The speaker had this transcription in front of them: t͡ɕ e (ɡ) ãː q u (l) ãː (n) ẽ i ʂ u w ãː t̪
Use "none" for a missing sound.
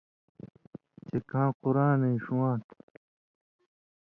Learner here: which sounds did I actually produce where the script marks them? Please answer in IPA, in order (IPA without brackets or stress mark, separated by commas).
k, ɾ, n